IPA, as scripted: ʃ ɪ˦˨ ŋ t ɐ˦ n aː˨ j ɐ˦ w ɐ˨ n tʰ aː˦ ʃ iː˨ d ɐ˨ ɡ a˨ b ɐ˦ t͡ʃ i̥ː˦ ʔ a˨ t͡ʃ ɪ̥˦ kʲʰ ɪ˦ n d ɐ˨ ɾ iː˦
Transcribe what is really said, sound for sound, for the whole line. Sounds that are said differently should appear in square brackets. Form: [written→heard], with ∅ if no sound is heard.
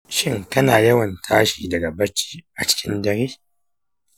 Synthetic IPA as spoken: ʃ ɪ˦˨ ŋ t ɐ˦ n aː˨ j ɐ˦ w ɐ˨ n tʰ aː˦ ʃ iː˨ d ɐ˨ ɡ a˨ b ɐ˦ t͡ʃ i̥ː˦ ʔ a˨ t͡ʃ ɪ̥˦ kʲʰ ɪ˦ n d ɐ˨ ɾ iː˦